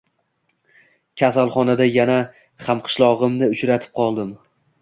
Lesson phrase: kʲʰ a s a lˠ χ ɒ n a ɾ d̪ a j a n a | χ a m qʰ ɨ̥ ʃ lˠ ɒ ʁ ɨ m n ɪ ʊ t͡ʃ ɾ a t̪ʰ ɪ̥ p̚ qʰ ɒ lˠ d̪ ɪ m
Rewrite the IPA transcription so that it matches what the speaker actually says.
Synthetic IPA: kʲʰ a s a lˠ χ ɒ n a d̪ a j a n a | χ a m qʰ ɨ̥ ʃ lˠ ɒ ʁ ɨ m n ɪ ʊ t͡ʃ ɾ a t̪ʰ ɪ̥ p̚ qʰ ɒ lˠ d̪ ɪ m